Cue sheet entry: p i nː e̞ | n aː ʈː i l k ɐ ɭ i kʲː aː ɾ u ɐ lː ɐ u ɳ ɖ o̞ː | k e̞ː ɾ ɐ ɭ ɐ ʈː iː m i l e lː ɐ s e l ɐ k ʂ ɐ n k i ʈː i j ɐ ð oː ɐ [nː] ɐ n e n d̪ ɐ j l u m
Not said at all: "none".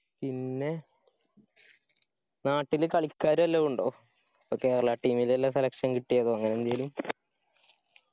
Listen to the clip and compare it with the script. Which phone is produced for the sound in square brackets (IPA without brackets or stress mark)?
ŋː